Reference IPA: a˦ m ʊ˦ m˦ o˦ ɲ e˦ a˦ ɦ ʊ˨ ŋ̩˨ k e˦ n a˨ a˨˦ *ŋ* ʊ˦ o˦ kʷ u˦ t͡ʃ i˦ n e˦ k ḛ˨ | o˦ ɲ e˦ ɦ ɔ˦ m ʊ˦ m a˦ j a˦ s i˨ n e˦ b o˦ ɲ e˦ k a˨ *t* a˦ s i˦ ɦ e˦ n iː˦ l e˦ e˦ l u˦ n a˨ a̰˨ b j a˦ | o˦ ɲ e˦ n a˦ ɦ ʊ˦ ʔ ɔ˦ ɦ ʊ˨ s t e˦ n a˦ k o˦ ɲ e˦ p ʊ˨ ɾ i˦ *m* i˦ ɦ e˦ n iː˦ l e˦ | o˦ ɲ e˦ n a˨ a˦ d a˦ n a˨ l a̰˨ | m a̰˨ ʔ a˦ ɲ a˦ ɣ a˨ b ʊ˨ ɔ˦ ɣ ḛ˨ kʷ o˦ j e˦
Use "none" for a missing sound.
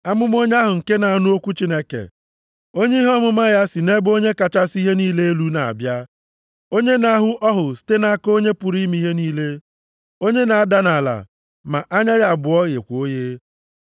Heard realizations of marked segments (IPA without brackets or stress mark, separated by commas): n, t͡ʃ, m